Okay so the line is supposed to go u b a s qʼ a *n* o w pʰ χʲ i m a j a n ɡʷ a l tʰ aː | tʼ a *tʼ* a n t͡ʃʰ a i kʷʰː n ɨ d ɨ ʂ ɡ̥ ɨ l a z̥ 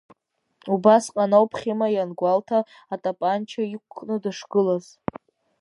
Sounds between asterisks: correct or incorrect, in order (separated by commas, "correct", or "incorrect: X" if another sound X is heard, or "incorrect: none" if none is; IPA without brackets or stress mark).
correct, incorrect: pʼ